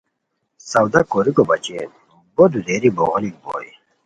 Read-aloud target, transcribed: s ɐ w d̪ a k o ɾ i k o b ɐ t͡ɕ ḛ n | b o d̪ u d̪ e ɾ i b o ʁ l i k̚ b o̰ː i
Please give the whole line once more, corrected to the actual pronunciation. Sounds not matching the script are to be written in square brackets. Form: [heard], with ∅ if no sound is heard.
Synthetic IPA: s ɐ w d̪ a k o ɾ i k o b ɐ t͡ɕ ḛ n | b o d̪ u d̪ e ɾ i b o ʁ l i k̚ b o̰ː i